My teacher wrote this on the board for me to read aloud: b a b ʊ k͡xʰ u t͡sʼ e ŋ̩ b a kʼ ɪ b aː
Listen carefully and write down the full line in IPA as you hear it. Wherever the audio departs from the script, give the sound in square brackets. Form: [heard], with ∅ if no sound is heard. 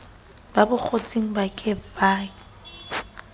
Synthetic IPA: b a b ʊ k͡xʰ [o] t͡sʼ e ŋ̩ b a kʼ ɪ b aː